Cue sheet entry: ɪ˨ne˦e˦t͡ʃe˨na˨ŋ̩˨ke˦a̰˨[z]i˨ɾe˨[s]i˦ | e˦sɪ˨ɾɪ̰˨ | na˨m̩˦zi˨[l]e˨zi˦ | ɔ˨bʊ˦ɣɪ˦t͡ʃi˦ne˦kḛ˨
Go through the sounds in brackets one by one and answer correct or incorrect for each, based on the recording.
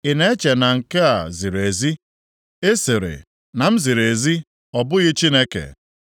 correct, incorrect, incorrect

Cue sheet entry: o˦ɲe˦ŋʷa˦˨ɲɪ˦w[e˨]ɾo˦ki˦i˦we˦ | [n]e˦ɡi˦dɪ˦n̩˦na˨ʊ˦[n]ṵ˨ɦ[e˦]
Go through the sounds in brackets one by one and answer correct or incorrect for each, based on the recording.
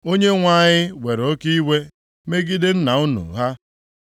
correct, incorrect, correct, incorrect

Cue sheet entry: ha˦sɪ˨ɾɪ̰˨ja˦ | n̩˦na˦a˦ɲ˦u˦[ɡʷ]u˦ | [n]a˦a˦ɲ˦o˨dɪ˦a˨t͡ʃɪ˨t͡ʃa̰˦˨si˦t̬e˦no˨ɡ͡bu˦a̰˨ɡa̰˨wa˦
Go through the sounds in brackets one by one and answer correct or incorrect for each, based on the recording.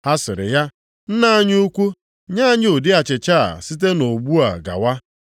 incorrect, incorrect

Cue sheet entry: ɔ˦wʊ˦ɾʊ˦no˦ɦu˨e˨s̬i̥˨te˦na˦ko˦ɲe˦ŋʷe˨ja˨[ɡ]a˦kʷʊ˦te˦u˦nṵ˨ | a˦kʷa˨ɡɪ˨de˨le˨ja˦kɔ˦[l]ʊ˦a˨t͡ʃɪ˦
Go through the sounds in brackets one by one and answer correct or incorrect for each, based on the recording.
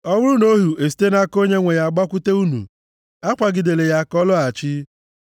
incorrect, correct

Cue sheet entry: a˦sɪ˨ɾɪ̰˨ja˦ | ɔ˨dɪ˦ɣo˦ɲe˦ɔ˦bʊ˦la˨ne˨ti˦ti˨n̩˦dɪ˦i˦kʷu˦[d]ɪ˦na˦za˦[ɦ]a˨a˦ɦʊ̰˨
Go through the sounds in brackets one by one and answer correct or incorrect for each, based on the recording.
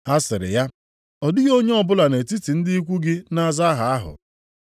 incorrect, correct

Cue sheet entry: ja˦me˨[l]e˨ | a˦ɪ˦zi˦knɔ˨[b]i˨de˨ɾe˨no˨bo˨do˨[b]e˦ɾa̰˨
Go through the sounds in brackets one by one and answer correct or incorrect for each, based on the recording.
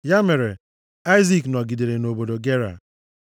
incorrect, incorrect, incorrect

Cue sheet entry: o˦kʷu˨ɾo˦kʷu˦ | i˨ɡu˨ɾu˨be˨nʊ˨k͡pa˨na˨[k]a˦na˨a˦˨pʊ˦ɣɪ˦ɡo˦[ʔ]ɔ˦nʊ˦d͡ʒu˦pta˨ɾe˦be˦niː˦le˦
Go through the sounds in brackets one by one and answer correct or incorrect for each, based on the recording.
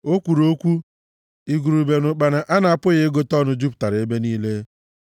incorrect, incorrect

